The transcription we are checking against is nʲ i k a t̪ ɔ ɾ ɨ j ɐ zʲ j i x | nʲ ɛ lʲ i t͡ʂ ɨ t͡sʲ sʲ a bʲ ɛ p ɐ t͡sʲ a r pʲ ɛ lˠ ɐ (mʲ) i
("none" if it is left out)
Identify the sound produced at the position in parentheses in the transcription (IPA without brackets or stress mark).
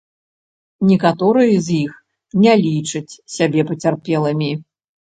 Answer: mʲ